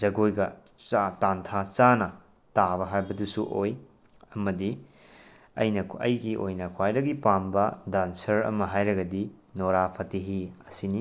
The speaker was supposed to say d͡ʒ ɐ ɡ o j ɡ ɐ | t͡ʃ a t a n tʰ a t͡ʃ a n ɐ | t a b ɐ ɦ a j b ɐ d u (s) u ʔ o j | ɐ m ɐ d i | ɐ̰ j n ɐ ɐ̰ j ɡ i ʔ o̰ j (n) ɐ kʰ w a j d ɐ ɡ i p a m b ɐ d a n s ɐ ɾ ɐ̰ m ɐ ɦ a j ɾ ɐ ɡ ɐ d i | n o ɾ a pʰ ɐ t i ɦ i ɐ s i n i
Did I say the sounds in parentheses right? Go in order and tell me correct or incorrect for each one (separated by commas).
correct, correct